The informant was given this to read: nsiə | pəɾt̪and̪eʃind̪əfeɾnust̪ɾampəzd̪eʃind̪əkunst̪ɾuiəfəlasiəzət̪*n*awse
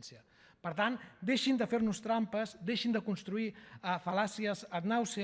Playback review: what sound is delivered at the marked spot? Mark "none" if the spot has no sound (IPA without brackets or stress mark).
n